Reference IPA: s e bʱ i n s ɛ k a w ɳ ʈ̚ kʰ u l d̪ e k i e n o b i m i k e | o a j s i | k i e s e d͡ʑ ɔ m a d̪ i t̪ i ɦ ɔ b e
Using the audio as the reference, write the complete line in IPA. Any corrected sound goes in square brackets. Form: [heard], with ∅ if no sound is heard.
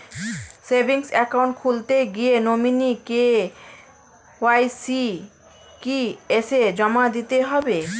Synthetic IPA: s e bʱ i [ŋ] s ɛ k a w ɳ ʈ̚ kʰ u l [t̪] e [ɡ] i e n o [m] i [n] i k e | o a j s i | k i e s e d͡ʑ ɔ m a d̪ i t̪ [e] ɦ ɔ b e